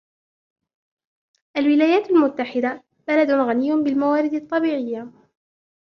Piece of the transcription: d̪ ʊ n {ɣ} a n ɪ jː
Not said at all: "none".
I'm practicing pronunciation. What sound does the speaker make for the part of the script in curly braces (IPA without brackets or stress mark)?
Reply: ɣ